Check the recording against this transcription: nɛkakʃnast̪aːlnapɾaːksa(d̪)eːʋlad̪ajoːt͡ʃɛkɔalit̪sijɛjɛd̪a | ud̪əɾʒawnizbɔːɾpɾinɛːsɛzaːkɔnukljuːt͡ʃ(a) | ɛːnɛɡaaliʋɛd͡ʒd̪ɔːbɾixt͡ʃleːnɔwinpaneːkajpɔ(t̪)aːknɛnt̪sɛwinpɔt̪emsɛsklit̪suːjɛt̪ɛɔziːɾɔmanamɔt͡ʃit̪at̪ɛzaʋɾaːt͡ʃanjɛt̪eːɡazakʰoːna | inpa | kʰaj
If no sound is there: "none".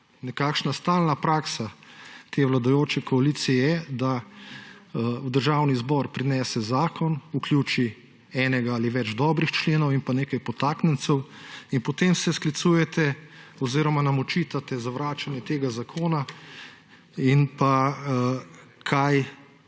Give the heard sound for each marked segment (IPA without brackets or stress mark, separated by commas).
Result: t̪, i, t̪